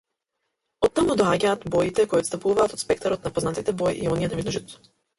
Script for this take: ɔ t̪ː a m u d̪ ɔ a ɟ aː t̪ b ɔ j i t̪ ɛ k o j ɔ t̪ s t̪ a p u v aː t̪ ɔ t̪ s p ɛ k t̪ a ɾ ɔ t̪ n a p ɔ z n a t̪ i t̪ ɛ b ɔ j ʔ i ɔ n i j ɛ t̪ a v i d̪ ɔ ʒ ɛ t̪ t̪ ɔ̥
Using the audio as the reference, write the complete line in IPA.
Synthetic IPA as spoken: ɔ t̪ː a m u d̪ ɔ a ɟ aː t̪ b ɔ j i t̪ ɛ k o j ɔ t̪ s t̪ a p u v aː t̪ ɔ t̪ s p ɛ k t̪ a ɾ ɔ t̪ n a p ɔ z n a t̪ i t̪ ɛ b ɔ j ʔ i ɔ n i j ɛ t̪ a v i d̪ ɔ ʒ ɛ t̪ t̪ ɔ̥

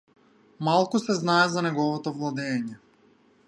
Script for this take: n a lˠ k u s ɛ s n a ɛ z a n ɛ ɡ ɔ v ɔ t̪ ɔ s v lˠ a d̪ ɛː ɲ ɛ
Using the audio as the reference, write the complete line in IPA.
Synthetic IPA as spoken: m a lˠ k u s ɛ z n a ɛ z a n ɛ ɡ ɔ v ɔ t̪ ɔ v lˠ a d̪ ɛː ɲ ɛ

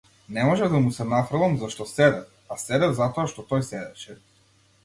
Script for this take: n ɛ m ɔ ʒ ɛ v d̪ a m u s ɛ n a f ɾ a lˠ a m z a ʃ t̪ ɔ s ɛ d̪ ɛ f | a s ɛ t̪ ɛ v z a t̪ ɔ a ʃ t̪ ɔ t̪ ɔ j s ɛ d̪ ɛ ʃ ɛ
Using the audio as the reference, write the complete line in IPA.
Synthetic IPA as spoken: n ɛ m ɔ ʒ ɛ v d̪ a m u s ɛ n a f ɾ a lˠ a m z a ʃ t̪ ɔ s ɛ d̪ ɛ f | a s ɛ d̪ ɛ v z a t̪ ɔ a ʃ t̪ ɔ t̪ ɔ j s ɛ d̪ ɛ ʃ ɛ

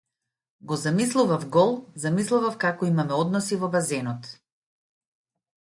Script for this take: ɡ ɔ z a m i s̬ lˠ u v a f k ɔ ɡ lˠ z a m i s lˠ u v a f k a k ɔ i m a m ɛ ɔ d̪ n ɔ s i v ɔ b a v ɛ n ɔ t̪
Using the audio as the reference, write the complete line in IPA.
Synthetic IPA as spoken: ɡ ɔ z a m i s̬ lˠ u v a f ɡ ɔ lˠ z a m i s lˠ u v a f k a k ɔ i m a m ɛ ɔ d̪ n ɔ s i v ɔ b a z ɛ n ɔ t̪

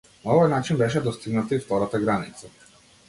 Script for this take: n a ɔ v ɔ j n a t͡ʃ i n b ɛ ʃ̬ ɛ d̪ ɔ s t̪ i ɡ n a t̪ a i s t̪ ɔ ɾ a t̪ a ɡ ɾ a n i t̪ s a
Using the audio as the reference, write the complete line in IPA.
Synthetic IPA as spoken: n a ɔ v ɔ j n a t͡ʃ i n b ɛ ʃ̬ ɛ d̪ ɔ s t̪ i ɡ n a t̪ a i f t̪ ɔ ɾ a t̪ a ɡ ɾ a n i t̪ s a

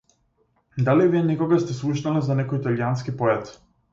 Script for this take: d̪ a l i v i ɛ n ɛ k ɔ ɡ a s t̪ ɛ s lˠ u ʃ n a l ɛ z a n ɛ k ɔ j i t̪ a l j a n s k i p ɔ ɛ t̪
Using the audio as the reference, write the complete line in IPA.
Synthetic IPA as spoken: d̪ a l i v i ɛ n ɛ k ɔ ɡ a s t̪ ɛ s lˠ u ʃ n a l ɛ z a n ɛ k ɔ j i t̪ a l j a n s k i p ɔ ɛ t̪

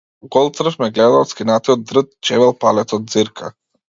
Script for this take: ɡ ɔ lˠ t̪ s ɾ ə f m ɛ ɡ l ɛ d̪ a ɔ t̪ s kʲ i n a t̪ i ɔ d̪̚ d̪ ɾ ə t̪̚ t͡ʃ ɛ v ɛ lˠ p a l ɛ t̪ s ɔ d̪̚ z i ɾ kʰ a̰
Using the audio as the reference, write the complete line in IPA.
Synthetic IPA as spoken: ɡ ɔ lˠ t̪ s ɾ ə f m ɛ ɡ l ɛ d̪ a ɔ t̪ s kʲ i n a t̪ i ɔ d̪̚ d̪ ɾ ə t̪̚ t͡ʃ ɛ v ɛ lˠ p a l ɛ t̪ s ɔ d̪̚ z i ɾ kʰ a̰

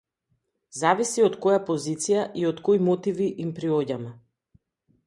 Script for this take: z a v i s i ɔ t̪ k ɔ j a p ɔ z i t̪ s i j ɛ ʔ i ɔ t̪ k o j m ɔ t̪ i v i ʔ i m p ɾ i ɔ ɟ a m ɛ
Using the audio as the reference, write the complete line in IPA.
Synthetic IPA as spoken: z a v i s i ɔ t̪ k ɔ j a p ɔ z i t̪ s i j a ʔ i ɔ t̪ k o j m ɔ t̪ i v i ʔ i m p ɾ i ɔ ɟ a m ɛ

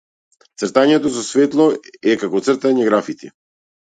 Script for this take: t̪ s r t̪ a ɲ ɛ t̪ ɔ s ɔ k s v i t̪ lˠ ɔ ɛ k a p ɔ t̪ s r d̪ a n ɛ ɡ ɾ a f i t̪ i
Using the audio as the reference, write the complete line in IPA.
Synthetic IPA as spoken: t̪ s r t̪ a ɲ ɛ t̪ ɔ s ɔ s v ɛ t̪ lˠ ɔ ɛ k a k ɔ t̪ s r t̪ a ɲ ɛ ɡ ɾ a f i t̪ i

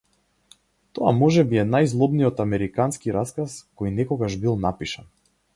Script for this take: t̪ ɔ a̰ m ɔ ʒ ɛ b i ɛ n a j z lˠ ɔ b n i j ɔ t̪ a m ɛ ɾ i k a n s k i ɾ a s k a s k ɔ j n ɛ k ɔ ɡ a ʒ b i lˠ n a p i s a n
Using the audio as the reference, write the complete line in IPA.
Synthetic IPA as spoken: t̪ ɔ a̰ m ɔ ʒ ɛ b i ɛ n a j z lˠ ɔ b n i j ɔ t̪ a m ɛ ɾ i k a n s k i ɾ a s k a s k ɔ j n ɛ k ɔ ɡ a ʒ b i lˠ n a p i ʃ a n

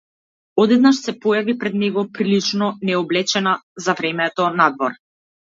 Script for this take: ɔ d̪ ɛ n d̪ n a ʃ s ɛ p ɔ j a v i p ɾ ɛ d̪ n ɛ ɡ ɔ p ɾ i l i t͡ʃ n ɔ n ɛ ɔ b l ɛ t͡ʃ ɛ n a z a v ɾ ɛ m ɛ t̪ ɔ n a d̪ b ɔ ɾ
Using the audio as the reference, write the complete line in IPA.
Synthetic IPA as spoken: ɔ d̪ ɛ d̪ n a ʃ s ɛ p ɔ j a v i p ɾ ɛ d̪ n ɛ ɡ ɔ p ɾ i l i t͡ʃ n ɔ n ɛ ɔ b l ɛ t͡ʃ ɛ n a z a v ɾ ɛ m ɛ t̪ ɔ n a d̪ v ɔ ɾ

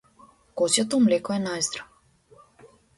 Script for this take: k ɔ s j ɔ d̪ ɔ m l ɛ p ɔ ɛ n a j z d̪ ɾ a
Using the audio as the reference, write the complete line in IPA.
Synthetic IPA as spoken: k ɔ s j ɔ t̪ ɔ m l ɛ k ɔ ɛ n a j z d̪ ɾ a

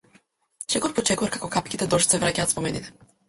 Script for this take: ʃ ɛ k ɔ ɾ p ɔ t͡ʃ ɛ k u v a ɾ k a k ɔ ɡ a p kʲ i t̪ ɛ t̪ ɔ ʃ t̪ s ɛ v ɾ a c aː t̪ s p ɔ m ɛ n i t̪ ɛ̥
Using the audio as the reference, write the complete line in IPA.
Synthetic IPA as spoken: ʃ ɛ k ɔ ɾ p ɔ t͡ʃ ɛ k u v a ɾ k a k ɔ k a p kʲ i t̪ ɛ d̪ ɔ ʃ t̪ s ɛ v ɾ a c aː t̪ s p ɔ m ɛ n i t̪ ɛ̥

